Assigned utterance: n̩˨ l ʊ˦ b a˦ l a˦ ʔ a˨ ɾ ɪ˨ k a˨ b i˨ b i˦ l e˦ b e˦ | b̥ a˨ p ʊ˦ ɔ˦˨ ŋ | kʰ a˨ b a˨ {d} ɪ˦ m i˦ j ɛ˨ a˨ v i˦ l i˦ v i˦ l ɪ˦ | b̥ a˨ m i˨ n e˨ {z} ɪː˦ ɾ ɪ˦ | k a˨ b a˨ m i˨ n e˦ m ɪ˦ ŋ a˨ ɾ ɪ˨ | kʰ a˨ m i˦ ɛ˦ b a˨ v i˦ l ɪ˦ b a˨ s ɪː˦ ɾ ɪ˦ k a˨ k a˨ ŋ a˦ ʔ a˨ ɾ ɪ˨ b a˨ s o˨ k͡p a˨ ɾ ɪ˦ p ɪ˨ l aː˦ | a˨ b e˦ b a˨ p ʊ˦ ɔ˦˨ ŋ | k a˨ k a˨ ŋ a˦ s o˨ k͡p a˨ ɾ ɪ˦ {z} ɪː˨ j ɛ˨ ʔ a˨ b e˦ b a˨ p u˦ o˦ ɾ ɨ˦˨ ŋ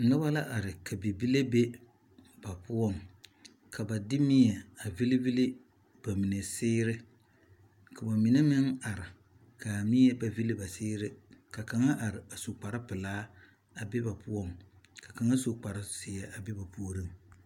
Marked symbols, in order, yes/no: yes, no, no

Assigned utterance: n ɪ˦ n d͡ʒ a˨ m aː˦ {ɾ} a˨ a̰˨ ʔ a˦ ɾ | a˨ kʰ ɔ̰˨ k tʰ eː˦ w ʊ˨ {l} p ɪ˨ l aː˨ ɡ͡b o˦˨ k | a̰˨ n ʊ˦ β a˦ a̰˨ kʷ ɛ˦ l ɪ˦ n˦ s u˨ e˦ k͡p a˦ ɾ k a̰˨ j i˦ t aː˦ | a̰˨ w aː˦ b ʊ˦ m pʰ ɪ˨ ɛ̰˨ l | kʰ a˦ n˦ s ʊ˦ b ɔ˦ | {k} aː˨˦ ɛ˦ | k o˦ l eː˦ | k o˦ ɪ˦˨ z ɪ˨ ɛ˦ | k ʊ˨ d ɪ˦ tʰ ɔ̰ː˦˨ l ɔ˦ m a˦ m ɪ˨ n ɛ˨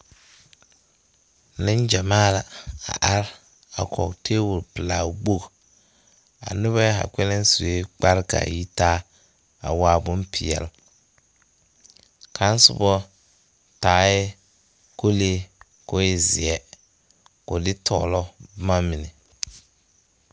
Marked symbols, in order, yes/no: no, no, no

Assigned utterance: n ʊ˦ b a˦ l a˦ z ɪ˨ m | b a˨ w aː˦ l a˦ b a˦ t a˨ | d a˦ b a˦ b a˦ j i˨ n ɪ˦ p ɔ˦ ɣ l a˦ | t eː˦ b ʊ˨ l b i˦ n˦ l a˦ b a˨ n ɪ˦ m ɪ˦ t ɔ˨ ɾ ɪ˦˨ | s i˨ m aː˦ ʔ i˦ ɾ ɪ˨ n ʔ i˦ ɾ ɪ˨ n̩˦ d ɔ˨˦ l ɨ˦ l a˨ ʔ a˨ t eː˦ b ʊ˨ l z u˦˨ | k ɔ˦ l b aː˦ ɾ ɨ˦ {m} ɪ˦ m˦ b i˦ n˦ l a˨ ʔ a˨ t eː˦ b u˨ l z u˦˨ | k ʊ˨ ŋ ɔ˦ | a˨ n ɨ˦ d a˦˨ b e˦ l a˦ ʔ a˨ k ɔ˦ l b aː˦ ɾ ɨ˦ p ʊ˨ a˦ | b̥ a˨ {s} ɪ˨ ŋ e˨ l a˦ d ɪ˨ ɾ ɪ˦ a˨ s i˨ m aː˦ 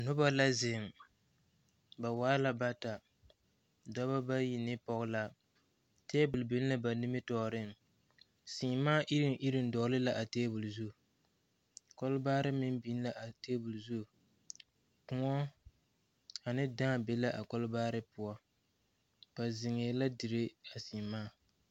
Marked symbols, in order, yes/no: yes, no

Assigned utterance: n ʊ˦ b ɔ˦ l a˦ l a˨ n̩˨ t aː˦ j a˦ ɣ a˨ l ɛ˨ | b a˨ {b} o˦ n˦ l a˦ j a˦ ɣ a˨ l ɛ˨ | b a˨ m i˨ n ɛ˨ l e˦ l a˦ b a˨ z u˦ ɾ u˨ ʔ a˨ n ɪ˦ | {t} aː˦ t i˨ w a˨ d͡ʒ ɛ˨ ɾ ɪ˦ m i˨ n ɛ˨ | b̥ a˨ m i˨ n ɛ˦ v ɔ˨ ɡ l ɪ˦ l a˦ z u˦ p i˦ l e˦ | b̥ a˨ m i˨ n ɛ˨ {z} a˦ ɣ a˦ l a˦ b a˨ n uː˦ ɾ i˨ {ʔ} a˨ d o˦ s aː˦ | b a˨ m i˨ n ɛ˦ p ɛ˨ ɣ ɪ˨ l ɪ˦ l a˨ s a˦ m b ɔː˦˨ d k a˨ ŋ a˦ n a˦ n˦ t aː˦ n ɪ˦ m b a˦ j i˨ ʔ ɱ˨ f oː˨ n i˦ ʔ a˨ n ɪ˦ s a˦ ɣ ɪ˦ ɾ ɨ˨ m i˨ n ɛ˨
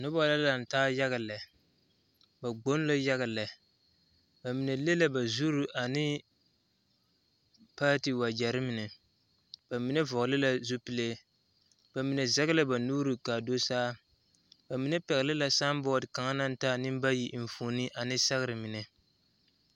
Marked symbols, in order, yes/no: no, no, yes, no

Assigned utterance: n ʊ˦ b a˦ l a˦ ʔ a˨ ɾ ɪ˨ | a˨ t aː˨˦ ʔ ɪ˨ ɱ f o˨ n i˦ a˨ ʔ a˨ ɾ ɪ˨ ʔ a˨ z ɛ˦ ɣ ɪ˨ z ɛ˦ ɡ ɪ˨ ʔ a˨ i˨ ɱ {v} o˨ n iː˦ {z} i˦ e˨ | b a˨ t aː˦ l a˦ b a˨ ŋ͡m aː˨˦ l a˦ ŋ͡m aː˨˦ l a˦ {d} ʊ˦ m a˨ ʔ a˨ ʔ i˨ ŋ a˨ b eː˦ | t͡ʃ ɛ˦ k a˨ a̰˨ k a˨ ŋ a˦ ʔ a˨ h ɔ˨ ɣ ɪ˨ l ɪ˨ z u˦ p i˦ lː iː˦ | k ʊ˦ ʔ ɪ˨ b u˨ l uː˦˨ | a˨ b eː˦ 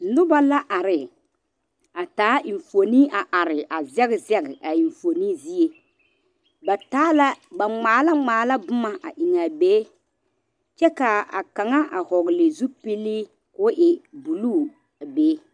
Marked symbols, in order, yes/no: no, yes, no

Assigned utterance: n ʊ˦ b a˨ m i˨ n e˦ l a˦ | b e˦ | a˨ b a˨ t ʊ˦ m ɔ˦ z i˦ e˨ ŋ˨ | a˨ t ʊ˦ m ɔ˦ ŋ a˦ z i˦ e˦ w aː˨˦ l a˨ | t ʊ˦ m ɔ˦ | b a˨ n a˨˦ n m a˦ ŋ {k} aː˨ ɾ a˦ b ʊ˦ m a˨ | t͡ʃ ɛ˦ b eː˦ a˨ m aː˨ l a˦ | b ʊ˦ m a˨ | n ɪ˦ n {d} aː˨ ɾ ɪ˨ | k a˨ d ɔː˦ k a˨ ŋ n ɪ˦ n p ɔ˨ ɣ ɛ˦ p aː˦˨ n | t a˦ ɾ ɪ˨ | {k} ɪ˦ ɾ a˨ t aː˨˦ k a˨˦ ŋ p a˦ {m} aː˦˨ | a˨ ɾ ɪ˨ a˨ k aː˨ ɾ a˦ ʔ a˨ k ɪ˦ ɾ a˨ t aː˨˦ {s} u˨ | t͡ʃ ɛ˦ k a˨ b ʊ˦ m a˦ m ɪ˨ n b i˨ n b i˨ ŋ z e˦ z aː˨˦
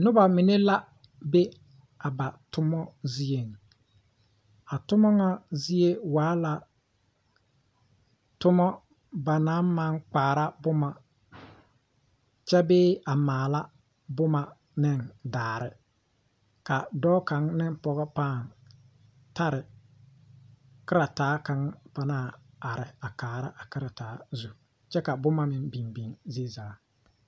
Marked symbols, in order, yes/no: no, yes, yes, no, no

